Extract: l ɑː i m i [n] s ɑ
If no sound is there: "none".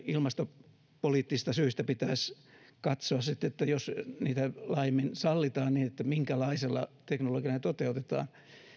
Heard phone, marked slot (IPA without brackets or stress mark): n